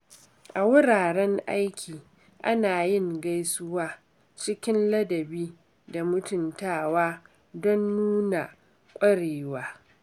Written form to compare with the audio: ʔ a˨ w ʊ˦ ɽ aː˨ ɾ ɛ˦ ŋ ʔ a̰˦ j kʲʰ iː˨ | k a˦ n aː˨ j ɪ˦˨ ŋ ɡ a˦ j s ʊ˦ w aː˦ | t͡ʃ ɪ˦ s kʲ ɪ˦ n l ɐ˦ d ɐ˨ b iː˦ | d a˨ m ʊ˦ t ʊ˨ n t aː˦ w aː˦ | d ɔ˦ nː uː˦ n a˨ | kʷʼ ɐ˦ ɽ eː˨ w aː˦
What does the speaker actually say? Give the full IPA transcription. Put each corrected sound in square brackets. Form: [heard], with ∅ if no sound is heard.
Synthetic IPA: ʔ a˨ w ʊ˦ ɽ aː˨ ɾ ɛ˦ ŋ ʔ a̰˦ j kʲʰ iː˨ | [ʔ] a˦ n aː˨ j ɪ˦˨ ŋ ɡ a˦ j s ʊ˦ w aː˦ | t͡ʃ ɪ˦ [∅] kʲ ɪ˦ n l ɐ˦ d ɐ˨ b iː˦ | d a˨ m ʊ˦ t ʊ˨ n t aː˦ w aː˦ | d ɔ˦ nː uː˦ n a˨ | kʷʼ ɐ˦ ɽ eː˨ w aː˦